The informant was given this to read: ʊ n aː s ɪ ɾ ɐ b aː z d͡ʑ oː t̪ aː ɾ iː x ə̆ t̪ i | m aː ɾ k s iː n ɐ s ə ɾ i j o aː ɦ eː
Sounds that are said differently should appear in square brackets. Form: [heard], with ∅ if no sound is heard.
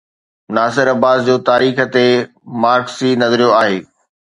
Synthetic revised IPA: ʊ n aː s ɪ ɾ ɐ b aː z d͡ʑ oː t̪ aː ɾ iː x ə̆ t̪ [e] | m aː ɾ k s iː n ɐ [z] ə ɾ i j o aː ɦ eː